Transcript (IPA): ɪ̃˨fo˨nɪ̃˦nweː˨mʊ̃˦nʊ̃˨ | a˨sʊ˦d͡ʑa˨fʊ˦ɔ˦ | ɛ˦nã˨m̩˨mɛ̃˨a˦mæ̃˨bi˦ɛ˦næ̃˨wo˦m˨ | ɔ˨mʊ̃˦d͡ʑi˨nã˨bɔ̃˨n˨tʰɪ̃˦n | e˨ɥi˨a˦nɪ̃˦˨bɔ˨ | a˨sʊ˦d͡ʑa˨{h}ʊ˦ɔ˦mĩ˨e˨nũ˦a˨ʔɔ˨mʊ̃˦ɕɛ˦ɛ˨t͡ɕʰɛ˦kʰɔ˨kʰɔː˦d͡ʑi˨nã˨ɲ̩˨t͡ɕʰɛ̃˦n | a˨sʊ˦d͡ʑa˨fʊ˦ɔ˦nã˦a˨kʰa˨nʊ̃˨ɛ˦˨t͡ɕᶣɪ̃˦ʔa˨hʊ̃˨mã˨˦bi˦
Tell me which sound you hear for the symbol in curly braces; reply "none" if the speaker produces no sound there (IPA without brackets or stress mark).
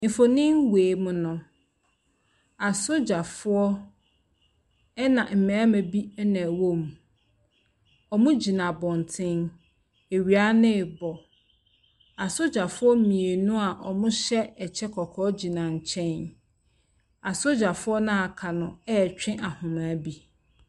f